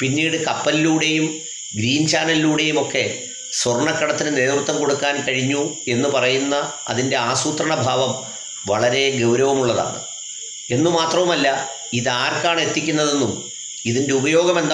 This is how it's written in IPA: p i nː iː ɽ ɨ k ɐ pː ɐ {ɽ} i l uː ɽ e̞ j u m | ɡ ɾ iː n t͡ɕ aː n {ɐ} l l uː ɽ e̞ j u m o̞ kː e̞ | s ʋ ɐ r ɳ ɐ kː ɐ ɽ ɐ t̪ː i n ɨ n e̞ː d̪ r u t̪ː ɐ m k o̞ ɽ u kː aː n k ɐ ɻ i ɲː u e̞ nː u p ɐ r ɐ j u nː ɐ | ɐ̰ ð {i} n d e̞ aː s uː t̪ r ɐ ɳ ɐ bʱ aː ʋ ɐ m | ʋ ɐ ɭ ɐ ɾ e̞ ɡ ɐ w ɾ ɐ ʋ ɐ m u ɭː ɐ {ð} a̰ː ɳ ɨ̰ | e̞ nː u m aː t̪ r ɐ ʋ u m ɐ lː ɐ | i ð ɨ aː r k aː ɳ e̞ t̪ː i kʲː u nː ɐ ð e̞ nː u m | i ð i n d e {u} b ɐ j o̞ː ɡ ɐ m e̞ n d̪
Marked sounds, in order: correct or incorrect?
incorrect: l, correct, correct, correct, correct

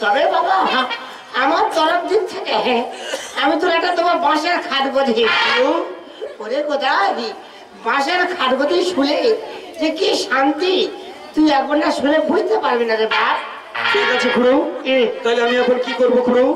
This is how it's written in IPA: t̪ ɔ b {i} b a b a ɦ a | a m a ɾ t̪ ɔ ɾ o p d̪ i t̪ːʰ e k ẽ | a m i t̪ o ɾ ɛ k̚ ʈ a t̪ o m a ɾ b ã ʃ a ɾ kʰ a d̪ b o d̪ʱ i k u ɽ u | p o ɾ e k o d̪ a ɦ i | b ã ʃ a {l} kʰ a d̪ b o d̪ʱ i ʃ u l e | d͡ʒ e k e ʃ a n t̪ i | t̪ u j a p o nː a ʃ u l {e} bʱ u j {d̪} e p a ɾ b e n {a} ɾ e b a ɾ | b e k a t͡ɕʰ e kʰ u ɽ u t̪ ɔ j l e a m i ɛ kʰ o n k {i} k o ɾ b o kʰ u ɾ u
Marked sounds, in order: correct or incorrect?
incorrect: e, incorrect: ɾ, correct, incorrect: t̪, correct, correct

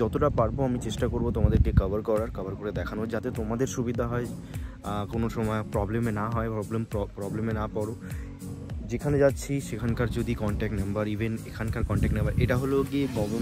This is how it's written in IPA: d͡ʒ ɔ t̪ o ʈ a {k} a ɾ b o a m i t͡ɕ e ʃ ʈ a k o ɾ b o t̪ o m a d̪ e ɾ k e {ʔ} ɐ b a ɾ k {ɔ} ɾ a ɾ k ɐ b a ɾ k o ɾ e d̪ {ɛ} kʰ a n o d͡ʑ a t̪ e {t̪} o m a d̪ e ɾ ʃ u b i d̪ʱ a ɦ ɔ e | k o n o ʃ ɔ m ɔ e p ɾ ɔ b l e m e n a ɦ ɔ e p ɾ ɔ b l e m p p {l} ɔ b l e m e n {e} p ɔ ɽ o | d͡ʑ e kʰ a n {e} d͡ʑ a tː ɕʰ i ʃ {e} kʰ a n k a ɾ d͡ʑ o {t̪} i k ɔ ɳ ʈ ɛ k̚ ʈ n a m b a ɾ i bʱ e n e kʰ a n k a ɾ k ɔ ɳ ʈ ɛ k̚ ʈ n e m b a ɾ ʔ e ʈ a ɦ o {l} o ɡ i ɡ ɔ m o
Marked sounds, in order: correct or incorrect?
incorrect: p, incorrect: k, correct, correct, correct, incorrect: ɾ, incorrect: a, correct, correct, incorrect: d̪, correct

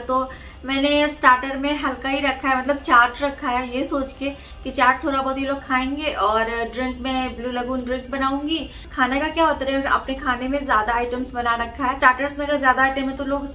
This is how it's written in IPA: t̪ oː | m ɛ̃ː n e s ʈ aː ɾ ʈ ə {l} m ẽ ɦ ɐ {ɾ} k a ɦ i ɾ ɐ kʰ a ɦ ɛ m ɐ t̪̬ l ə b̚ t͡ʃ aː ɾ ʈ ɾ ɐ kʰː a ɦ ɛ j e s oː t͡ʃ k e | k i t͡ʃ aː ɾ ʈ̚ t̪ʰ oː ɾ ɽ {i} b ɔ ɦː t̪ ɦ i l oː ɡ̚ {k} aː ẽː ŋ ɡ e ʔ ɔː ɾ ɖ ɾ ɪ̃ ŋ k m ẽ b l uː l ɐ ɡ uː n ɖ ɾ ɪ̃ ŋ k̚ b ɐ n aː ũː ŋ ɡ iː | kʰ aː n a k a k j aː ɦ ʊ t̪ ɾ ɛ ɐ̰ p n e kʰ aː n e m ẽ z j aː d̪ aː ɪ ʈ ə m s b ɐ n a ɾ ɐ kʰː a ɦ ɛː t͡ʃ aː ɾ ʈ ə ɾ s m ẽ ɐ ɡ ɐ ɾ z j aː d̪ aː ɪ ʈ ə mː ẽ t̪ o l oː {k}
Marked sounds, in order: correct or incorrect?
incorrect: ɾ, incorrect: l, incorrect: a, incorrect: kʰ, incorrect: ɡ

